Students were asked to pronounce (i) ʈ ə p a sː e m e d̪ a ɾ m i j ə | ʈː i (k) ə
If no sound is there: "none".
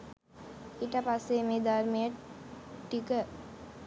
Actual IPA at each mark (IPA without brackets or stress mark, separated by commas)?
i, k